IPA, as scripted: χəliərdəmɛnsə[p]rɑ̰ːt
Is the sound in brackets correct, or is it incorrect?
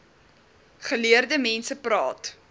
correct